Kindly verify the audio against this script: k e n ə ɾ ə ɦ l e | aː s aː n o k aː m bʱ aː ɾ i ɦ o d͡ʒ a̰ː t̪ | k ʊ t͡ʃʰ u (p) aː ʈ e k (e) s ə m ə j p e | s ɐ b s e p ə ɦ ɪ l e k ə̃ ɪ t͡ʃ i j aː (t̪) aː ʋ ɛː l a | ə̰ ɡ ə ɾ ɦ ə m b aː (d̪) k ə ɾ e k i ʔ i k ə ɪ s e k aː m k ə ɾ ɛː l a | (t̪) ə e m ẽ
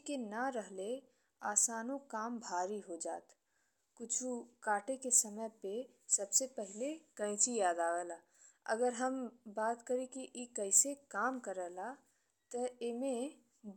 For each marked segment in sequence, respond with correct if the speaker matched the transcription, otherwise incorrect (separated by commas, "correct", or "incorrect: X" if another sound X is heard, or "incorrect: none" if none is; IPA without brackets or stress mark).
incorrect: k, correct, incorrect: d̪, incorrect: t̪, correct